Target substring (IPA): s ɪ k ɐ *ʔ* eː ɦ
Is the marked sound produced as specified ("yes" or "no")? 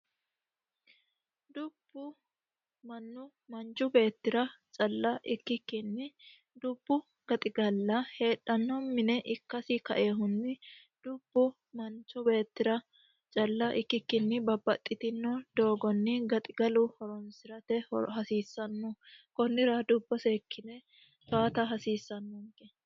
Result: yes